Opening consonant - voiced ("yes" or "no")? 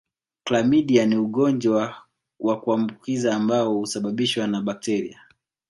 no